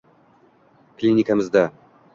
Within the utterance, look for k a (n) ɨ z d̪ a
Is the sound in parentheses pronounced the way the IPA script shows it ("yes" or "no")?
no